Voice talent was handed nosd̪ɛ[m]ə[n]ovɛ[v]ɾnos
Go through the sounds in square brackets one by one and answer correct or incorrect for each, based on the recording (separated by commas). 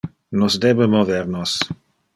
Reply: incorrect, incorrect, incorrect